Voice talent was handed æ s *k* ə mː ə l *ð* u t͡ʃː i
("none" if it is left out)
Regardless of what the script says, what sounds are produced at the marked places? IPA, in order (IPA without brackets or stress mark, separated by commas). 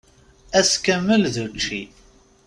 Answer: k, ð